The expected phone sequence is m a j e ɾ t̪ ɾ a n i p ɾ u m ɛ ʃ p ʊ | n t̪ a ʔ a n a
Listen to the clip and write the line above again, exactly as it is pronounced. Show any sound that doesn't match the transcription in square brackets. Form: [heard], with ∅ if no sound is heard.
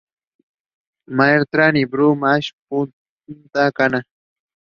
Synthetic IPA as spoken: m a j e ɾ t̪ ɾ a n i [b] ɾ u m [a] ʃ p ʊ | n t̪ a [k] a n a

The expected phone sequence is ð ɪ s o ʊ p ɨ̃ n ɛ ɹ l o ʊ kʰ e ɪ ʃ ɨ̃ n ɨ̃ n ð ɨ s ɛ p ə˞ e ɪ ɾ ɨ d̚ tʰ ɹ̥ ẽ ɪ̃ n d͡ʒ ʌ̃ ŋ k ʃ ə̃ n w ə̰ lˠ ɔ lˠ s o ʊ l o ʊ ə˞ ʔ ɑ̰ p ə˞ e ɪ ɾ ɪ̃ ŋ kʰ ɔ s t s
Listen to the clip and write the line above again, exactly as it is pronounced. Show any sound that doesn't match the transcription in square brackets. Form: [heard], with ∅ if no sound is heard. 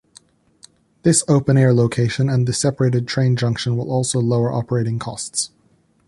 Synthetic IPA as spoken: ð ɪ s o ʊ p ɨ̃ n ɛ ɹ l o ʊ kʰ e ɪ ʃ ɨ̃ n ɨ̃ n ð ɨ s ɛ p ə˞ e ɪ ɾ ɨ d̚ tʰ ɹ̥ ẽ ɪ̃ n d͡ʒ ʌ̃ ŋ k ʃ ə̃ n w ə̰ lˠ ɔ lˠ s o ʊ l o ʊ ə˞ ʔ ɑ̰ p ə˞ e ɪ ɾ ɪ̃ ŋ kʰ ɔ s t s

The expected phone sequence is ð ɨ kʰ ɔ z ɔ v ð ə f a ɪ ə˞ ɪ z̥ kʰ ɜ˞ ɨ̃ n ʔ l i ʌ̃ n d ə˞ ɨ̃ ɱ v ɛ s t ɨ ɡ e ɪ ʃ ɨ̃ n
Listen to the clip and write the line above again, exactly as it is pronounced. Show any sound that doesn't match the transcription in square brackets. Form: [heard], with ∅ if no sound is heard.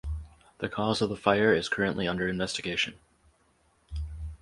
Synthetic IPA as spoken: ð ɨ kʰ ɔ z [ʌ] v ð ə f a ɪ ə˞ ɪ z̥ kʰ ɜ˞ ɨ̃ n ʔ l i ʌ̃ n d ə˞ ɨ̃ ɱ v ɛ s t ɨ ɡ e ɪ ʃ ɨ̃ n

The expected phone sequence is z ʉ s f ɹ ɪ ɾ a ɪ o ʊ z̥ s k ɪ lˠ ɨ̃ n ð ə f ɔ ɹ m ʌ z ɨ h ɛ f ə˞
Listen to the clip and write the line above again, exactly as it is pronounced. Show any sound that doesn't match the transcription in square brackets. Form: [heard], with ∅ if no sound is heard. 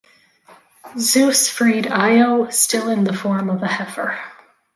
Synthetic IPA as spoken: z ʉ s f ɹ [i] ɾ a ɪ o ʊ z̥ s [t] ɪ lˠ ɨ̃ n ð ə f ɔ ɹ m ʌ [v] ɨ h ɛ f ə˞

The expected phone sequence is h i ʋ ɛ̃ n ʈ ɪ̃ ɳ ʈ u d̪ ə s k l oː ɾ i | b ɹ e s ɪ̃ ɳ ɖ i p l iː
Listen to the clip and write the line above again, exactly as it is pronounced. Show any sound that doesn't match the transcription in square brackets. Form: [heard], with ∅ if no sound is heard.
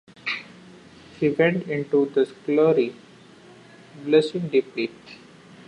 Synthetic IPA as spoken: h i ʋ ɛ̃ [ɳ] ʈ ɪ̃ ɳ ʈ u d̪ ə s k l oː ɾ i | b [l] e s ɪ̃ [ŋ] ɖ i p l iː

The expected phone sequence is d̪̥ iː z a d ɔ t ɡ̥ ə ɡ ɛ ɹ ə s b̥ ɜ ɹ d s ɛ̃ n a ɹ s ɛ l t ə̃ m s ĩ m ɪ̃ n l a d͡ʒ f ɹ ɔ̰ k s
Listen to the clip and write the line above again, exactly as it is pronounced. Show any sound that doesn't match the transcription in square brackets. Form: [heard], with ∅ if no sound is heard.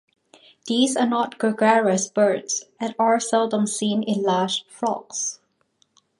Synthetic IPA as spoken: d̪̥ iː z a [n] ɔ t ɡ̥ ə ɡ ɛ ɹ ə s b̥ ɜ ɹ d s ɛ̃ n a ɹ s ɛ l [d] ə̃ m s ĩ [n] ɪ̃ n l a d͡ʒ f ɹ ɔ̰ k s

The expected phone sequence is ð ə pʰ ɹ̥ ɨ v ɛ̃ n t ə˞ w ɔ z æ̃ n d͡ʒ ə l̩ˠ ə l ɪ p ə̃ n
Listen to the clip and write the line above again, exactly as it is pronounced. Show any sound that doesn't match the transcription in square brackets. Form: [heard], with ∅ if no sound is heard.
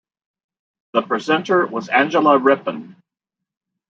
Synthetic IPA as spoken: ð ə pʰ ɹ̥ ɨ [z] ɛ̃ n t ə˞ w [ʌ] z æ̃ n d͡ʒ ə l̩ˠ ə [ɹ] ɪ p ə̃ n

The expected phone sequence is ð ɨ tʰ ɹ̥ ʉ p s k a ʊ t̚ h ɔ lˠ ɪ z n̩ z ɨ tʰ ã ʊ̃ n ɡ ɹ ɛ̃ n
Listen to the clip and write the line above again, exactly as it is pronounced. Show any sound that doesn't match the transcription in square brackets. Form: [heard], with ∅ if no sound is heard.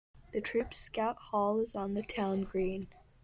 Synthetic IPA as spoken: ð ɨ tʰ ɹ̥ ʉ p s k a ʊ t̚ h ɔ lˠ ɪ z n̩ [ð] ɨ tʰ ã ʊ̃ n ɡ ɹ [ĩ] n

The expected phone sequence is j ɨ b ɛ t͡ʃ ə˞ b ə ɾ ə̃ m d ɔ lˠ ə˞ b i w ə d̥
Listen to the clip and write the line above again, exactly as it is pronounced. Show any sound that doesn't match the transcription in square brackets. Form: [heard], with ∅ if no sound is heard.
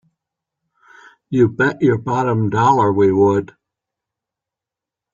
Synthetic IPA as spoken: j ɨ b ɛ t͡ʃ ə˞ b [ɑ] ɾ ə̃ m d ɔ lˠ ə˞ [w] i w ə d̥

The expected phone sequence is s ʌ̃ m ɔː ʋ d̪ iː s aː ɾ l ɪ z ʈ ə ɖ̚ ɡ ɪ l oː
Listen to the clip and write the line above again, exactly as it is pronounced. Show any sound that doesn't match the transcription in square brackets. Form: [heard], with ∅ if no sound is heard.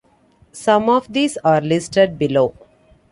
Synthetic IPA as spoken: s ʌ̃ m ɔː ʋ d̪ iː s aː ɾ l ɪ [s] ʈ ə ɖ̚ [b] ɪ l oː

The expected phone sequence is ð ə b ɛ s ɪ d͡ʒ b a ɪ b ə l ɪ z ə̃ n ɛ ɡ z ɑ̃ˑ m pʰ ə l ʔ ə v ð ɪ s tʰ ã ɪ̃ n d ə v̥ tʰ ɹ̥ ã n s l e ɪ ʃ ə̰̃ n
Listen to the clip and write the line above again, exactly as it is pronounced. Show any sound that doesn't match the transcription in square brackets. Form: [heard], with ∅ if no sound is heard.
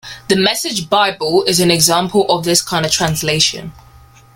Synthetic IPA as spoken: ð ə [m] ɛ s ɪ d͡ʒ b a ɪ b ə l ɪ z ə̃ n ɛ ɡ z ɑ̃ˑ m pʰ ə l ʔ ə v ð ɪ s [kʰ] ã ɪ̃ n d ə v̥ tʰ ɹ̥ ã n s l e ɪ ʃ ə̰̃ n

